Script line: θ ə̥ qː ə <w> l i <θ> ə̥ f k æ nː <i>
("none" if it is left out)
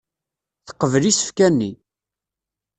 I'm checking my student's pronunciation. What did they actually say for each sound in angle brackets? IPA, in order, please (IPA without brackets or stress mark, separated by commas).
v, s, i